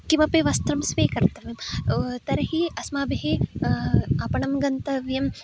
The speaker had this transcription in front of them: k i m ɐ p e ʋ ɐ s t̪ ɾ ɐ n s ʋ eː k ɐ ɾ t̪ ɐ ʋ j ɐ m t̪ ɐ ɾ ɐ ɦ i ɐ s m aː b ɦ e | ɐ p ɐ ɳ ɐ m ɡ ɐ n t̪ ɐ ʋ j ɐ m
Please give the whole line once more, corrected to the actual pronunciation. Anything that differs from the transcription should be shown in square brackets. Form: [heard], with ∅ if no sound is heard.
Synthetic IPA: k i m ɐ p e ʋ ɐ s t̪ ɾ ɐ [m] s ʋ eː k ɐ ɾ t̪ ɐ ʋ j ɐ m t̪ ɐ ɾ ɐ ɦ i ɐ s m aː b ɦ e | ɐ p ɐ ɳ ɐ m ɡ ɐ n t̪ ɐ ʋ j ɐ m

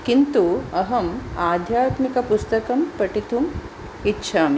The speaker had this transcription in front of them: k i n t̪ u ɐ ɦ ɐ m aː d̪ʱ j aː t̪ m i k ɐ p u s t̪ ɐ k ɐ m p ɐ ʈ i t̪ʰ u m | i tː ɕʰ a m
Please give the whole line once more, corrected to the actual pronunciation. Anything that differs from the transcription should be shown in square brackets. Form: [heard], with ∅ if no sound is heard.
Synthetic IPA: k i n t̪ u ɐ ɦ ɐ m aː d̪ʱ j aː t̪ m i k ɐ p u s t̪ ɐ k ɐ m p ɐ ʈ i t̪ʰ u m | i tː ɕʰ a m

